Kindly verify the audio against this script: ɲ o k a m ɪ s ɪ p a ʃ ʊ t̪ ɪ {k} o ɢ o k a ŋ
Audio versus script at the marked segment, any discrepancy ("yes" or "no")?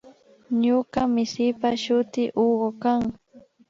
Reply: yes